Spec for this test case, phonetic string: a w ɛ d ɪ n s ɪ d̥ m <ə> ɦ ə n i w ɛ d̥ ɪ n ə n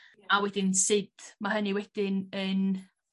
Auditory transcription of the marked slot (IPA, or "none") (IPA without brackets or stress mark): a